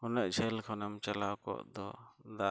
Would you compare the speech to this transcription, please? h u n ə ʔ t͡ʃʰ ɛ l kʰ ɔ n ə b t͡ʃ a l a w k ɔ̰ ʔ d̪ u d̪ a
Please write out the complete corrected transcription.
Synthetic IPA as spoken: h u n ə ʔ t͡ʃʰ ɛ l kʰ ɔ n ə m t͡ʃ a l a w k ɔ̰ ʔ d̪ ɔ d̪ a